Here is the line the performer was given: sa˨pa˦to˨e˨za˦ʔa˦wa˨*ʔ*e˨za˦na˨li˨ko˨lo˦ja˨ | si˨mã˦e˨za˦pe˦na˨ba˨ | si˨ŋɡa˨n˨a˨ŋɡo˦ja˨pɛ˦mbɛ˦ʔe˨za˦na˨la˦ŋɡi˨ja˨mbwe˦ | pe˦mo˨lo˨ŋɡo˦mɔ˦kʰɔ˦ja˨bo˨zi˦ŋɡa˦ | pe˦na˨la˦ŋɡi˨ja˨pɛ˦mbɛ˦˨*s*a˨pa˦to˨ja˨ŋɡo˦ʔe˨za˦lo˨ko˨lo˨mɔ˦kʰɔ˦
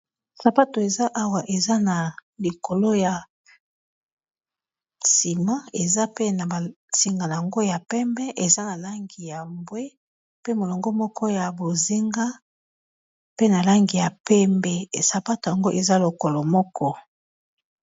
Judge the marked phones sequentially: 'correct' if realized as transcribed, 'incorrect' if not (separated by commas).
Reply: correct, correct